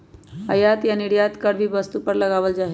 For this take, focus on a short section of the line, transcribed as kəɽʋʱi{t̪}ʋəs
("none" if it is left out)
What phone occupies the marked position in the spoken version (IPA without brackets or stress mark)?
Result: none